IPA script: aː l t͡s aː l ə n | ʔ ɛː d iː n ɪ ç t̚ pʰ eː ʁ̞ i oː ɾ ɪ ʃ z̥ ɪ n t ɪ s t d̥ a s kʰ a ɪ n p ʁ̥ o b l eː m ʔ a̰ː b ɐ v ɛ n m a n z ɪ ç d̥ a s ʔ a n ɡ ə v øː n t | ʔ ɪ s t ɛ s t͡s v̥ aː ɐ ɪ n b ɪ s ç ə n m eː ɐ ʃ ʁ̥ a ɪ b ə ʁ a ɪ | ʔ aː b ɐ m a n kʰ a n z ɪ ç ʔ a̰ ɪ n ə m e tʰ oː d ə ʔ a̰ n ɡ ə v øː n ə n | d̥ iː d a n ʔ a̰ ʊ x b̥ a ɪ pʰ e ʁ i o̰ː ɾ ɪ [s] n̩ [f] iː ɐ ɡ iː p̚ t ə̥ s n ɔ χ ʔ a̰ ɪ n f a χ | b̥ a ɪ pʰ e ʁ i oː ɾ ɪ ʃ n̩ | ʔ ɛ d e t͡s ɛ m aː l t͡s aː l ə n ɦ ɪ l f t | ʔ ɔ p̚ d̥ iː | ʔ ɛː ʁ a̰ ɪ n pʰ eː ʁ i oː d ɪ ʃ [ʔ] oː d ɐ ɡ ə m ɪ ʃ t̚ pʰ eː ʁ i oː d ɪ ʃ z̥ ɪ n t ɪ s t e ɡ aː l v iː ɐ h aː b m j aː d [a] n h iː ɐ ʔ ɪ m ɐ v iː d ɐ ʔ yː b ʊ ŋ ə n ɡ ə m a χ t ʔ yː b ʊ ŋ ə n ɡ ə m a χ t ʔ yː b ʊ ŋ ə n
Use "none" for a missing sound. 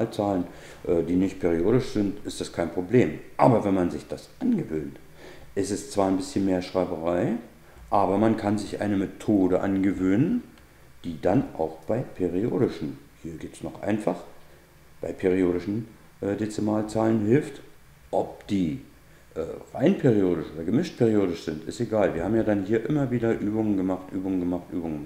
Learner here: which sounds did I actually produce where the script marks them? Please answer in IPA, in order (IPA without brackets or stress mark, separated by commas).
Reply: ʃ, h, ʔ, a